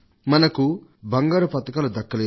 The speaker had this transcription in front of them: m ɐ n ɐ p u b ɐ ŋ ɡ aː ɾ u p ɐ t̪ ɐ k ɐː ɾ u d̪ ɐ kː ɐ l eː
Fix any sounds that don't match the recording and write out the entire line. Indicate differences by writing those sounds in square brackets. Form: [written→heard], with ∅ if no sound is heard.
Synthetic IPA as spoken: m ɐ n ɐ [p→k] u b ɐ ŋ ɡ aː ɾ u p ɐ t̪ ɐ k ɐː [ɾ→l] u d̪ ɐ kː ɐ l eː

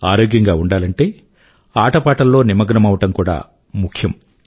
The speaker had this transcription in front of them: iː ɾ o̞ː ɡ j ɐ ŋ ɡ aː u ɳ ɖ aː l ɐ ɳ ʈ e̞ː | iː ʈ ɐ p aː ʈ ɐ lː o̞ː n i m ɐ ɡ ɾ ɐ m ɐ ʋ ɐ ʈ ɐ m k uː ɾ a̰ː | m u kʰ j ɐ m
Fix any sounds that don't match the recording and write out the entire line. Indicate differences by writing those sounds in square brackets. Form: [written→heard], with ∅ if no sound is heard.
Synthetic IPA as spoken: [iː→aː] ɾ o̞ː ɡ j ɐ ŋ ɡ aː u ɳ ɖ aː l ɐ ɳ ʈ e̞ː | [iː→aː] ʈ ɐ p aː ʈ ɐ lː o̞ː n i m ɐ ɡ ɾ ɐ m ɐ ʋ ɐ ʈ ɐ m k uː [ɾ→ɽ] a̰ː | m u kʰ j ɐ m

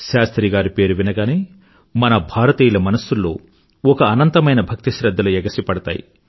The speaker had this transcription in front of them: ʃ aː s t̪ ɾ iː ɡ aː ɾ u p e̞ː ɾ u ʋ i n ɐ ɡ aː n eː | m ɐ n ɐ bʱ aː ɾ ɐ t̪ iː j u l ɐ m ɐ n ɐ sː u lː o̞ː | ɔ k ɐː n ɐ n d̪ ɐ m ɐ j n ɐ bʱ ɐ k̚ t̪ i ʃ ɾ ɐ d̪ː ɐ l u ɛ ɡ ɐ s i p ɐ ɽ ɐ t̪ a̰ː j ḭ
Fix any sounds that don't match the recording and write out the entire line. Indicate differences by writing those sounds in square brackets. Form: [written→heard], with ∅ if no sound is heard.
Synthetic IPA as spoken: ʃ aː s t̪ ɾ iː ɡ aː ɾ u p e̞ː ɾ u ʋ i n ɐ ɡ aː n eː | m ɐ n ɐ bʱ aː ɾ ɐ t̪ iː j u l ɐ m ɐ n ɐ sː u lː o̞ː | ɔ k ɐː n ɐ n [d̪→t̪] ɐ m ɐ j n ɐ bʱ ɐ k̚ t̪ i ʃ ɾ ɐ d̪ː ɐ l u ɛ ɡ ɐ s i p ɐ ɽ ɐ t̪ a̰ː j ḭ

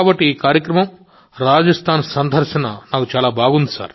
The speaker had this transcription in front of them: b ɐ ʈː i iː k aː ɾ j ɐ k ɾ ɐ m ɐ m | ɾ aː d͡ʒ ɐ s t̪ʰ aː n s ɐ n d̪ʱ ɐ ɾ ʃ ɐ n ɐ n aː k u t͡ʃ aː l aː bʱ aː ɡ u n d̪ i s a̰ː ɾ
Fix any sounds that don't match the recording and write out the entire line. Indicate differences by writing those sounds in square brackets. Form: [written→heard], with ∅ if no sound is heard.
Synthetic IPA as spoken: b ɐ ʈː i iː k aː ɾ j ɐ k ɾ ɐ m ɐ m | ɾ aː d͡ʒ ɐ s t̪ʰ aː n s ɐ n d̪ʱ ɐ ɾ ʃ ɐ n ɐ n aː k u t͡ʃ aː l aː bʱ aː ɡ u n d̪ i s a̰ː ɾ

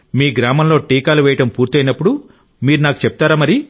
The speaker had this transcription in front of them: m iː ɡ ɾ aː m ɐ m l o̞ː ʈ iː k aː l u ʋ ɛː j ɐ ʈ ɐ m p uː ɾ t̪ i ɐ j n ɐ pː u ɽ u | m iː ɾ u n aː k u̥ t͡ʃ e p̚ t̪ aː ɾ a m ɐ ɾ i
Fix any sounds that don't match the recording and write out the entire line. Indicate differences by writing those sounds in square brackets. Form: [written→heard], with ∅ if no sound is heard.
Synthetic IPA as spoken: m iː ɡ ɾ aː m ɐ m l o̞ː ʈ iː k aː l u ʋ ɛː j ɐ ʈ ɐ m p uː ɾ t̪ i ɐ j n ɐ pː u ɽ u | m iː ɾ u n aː k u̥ t͡ʃ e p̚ t̪ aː ɾ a m ɐ ɾ i

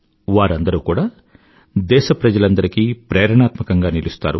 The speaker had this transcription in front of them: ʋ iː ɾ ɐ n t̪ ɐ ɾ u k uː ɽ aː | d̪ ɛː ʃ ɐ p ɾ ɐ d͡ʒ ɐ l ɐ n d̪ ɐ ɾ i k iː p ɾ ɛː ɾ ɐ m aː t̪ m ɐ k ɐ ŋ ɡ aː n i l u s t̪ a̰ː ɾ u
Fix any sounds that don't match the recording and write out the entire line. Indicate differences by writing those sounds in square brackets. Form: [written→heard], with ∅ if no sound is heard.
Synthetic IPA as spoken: ʋ [iː→aː] ɾ ɐ n [t̪→d̪] ɐ ɾ u k uː ɽ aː | d̪ ɛː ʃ ɐ p ɾ ɐ d͡ʒ ɐ l ɐ n d̪ ɐ ɾ i k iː p ɾ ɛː ɾ ɐ [m→ɳ] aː t̪ m ɐ k ɐ ŋ ɡ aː n i l u s t̪ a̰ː ɾ u

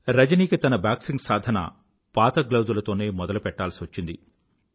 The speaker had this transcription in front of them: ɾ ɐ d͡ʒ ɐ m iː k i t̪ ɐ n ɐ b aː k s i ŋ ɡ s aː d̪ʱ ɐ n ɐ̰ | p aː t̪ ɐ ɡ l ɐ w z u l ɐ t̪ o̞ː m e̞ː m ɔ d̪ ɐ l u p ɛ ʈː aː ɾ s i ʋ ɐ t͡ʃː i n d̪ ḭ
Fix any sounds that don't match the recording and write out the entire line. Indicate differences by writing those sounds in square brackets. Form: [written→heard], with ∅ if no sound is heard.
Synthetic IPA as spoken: ɾ ɐ d͡ʒ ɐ [m→n] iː k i t̪ ɐ n ɐ b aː k s i ŋ ɡ s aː d̪ʱ ɐ n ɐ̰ | p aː t̪ ɐ ɡ l ɐ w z u l ɐ t̪ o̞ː [m→n] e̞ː m ɔ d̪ ɐ l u p ɛ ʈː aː [ɾ→l] s i ʋ ɐ t͡ʃː i n d̪ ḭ

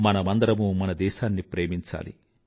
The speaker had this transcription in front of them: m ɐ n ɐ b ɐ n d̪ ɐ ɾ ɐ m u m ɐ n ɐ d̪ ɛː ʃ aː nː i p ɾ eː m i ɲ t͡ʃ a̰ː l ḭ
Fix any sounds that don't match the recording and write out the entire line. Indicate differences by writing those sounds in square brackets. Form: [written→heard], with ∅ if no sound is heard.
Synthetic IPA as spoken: m ɐ n ɐ [b→m] ɐ n d̪ ɐ ɾ ɐ m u m ɐ n ɐ d̪ ɛː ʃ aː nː i p ɾ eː m i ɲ t͡ʃ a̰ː l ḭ

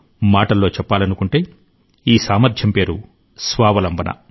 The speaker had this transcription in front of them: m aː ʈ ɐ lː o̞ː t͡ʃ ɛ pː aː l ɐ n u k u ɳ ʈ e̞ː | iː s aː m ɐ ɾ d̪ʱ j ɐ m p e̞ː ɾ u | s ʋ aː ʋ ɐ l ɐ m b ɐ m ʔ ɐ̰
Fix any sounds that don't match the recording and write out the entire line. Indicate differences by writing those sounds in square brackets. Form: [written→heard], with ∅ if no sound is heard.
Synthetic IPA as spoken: m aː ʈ ɐ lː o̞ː t͡ʃ ɛ pː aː l ɐ n u k u ɳ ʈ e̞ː | iː s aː m ɐ ɾ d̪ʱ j ɐ m p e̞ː ɾ u | s ʋ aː ʋ ɐ l ɐ m b ɐ [m→n] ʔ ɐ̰

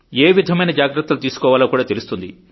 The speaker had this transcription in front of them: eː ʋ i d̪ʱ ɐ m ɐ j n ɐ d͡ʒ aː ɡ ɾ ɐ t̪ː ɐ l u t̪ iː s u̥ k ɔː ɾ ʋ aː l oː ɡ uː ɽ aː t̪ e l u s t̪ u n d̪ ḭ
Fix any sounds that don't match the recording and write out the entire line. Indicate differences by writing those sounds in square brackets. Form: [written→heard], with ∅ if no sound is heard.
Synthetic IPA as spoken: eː ʋ i d̪ʱ ɐ m ɐ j n ɐ d͡ʒ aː ɡ ɾ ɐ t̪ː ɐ l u t̪ iː s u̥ k ɔː [ɾ→∅] ʋ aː l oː [ɡ→k] uː ɽ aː t̪ e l u s t̪ u n d̪ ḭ

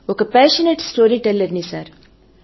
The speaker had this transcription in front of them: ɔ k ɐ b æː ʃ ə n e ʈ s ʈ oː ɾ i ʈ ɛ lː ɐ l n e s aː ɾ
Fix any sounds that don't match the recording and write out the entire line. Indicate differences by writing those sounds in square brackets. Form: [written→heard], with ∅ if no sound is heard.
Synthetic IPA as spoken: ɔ k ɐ [b→p] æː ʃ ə n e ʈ s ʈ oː ɾ i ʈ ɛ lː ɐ [l→ɾ] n [e→i] s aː ɾ

